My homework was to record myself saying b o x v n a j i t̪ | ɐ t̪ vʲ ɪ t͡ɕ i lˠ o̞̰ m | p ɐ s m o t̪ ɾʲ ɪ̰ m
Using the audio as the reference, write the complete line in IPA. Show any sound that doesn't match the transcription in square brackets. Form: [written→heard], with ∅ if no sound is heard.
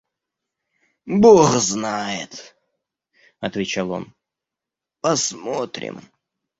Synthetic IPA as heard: b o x [v→z] n a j [i→ɪ] t̪ | ɐ t̪ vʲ ɪ t͡ɕ [i→a] lˠ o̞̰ [m→n] | p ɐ s m o t̪ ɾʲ ɪ̰ m